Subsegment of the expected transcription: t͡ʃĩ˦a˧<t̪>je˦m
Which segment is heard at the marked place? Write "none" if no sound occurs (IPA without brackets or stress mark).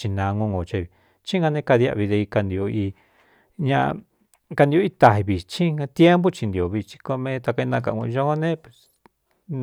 t̪